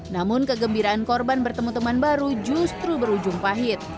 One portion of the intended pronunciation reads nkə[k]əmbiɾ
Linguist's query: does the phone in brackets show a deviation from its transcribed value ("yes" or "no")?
yes